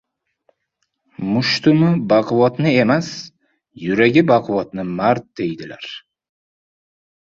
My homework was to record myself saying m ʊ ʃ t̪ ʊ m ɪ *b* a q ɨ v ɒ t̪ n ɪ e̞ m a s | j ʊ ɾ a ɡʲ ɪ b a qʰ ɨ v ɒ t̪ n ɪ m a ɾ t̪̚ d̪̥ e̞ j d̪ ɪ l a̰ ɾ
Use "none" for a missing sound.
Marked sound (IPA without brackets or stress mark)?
b